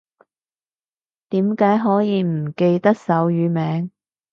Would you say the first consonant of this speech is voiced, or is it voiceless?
voiceless